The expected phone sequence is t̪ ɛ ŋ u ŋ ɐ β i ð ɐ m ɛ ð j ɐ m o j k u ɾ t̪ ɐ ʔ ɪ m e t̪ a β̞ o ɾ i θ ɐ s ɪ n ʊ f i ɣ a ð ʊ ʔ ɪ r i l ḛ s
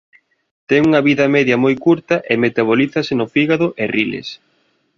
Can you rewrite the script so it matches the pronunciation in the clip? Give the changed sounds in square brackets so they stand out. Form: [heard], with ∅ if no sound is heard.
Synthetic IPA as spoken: t̪ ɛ ŋ u ŋ ɐ β i ð ɐ m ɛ ð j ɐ m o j k u ɾ t̪ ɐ ʔ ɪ m e t̪ a β̞ o [l] i θ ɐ s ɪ n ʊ f i ɣ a ð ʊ ʔ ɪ r i l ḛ s